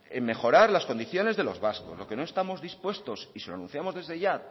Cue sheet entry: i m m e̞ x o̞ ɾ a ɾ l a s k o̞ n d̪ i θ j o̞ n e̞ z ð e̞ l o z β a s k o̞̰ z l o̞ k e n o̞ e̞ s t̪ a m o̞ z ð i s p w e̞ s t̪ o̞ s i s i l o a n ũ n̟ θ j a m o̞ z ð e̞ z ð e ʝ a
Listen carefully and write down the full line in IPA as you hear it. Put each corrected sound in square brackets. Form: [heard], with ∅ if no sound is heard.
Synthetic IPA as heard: [e] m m e̞ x o̞ ɾ a ɾ l a s k o̞ n d̪ i θ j o̞ n e̞ z ð e̞ l o z β a s k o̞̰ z l o̞ k e n o̞ e̞ s t̪ a m o̞ z ð i s p w e̞ s t̪ o̞ s i s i l o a n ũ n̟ θ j a m o̞ z ð e̞ z ð e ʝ a